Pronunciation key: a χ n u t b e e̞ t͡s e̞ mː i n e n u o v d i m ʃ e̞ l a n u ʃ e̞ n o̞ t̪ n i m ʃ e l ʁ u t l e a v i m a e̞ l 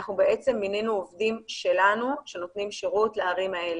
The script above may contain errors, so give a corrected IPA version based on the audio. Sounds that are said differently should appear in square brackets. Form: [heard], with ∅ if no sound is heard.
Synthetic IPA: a χ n u [∅] b e e̞ t͡s e̞ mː i n e n u o v d i m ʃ e̞ l a n u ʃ e̞ n o̞ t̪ n i m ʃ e [∅] ʁ u t l e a [ʁ] i m a e̞ l